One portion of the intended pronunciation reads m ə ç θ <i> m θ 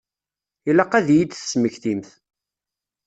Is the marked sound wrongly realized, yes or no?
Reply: no